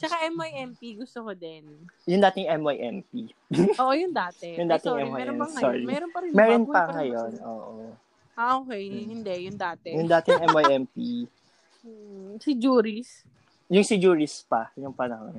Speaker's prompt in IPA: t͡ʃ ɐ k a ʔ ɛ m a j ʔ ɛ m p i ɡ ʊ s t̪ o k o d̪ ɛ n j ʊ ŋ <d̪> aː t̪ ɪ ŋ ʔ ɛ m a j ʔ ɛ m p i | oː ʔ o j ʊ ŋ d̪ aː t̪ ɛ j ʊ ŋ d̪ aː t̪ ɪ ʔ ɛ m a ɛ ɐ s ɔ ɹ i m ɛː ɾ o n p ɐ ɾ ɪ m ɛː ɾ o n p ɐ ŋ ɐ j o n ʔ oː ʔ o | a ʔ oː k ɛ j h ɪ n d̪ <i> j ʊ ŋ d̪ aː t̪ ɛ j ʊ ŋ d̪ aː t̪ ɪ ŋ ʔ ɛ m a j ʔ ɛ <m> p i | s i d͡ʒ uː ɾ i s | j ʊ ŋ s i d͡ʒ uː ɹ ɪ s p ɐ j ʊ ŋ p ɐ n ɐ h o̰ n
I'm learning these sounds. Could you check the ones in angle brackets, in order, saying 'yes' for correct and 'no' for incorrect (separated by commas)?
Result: yes, no, yes